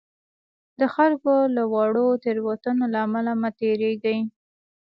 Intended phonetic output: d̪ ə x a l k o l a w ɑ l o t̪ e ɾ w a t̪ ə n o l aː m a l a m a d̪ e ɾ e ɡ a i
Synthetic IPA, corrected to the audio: d̪ ə x a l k o l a w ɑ ɽ o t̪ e ɾ w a t̪ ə n o l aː m a l a m a t̪ e ɾ e ɡ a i